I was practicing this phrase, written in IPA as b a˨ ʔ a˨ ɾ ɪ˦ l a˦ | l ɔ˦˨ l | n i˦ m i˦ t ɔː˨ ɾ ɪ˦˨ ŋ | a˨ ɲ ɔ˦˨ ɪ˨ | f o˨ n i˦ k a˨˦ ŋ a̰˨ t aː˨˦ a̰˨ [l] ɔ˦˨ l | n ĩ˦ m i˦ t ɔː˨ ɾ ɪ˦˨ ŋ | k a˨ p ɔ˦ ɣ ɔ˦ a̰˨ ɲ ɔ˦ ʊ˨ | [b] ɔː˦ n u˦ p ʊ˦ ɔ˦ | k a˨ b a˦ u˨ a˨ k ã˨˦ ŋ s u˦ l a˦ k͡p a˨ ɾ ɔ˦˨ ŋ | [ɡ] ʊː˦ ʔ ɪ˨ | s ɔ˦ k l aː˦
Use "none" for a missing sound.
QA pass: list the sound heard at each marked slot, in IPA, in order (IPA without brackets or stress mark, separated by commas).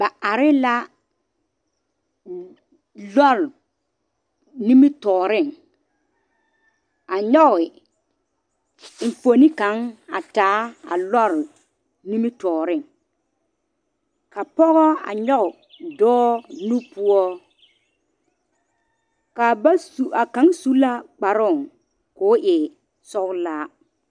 l, d, k